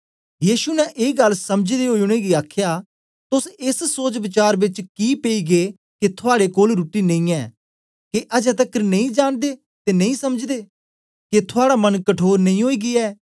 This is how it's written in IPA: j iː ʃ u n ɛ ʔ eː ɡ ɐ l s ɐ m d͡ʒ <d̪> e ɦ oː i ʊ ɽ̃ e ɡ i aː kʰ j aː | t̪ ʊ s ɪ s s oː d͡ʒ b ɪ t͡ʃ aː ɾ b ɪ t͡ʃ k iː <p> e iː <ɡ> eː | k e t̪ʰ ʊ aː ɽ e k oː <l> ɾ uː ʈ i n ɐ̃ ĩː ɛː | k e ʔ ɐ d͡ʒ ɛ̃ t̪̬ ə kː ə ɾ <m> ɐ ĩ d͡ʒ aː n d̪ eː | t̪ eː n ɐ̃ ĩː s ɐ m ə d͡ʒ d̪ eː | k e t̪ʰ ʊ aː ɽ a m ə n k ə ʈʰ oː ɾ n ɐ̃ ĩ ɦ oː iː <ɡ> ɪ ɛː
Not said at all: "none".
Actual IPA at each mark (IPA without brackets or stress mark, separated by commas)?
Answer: d̪, p, ɡ, l, n, ɡ